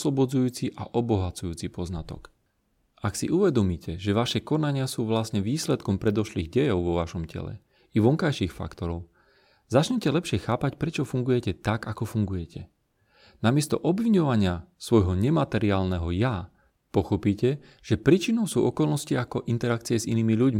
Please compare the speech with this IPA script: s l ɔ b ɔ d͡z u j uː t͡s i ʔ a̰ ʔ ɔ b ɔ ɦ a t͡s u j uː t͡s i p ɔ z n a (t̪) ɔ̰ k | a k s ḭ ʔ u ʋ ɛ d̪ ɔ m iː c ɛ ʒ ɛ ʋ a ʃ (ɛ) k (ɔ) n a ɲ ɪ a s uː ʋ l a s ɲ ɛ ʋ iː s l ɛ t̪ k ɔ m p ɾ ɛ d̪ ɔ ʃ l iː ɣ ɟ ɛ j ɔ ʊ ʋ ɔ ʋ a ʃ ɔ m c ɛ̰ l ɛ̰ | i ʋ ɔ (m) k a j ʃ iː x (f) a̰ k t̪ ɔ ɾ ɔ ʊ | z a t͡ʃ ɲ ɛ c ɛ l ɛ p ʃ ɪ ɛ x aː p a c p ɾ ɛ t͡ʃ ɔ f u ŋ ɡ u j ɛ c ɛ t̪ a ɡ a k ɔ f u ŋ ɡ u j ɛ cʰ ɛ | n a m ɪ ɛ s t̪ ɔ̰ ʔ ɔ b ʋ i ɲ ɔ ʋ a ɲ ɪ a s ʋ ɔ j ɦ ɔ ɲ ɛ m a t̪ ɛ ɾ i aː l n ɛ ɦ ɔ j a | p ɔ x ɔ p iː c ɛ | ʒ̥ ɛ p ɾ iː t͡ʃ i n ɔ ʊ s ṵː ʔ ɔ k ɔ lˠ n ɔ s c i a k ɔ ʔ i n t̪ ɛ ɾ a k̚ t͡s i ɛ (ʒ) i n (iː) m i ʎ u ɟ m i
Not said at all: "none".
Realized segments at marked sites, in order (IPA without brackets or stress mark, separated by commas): t̪, ɛ, ɔ, ŋ, f, z, iː